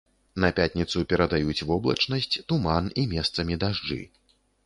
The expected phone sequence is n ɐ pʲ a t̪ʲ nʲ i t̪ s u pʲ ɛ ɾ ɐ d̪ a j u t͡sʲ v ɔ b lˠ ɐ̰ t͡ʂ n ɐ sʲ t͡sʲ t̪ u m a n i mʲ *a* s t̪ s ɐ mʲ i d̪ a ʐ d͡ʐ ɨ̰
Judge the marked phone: incorrect: ɛ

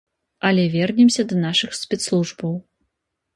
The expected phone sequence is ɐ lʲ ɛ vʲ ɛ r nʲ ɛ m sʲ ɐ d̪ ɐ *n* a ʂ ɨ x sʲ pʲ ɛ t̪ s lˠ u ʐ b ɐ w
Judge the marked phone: correct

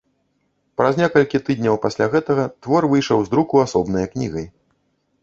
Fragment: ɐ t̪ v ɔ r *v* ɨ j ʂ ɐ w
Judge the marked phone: correct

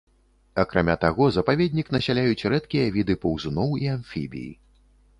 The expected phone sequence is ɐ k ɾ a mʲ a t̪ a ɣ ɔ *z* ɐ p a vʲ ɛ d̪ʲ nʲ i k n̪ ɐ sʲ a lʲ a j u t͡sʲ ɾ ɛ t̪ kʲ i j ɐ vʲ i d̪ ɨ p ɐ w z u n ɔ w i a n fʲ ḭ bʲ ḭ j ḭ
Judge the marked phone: correct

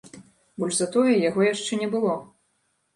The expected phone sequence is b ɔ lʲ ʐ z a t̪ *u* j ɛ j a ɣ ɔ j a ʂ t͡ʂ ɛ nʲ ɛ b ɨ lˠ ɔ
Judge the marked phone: incorrect: ɔ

